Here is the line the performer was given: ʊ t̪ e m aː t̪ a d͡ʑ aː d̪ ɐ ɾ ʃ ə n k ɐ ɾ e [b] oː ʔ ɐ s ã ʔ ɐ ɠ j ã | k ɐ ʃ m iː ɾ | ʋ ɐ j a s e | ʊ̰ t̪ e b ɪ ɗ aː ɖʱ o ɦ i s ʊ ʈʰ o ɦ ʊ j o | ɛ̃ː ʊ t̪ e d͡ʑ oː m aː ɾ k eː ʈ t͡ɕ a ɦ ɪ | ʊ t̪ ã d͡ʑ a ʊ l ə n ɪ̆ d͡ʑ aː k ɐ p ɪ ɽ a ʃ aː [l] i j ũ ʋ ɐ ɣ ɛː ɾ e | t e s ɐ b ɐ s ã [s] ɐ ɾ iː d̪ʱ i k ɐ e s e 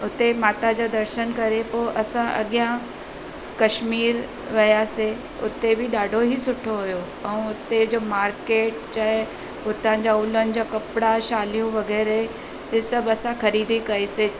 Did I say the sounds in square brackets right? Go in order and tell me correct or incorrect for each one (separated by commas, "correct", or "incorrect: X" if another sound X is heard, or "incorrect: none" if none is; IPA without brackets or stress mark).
incorrect: p, correct, incorrect: x